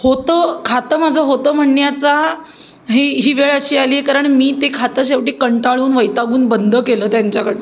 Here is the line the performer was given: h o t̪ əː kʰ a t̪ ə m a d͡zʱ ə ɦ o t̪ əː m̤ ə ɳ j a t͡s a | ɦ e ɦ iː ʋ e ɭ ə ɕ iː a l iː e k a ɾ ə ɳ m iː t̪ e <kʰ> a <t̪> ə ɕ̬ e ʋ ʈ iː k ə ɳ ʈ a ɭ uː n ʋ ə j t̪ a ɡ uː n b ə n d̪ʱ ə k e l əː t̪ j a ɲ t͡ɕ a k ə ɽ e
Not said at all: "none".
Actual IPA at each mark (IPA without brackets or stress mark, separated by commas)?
kʰ, t̪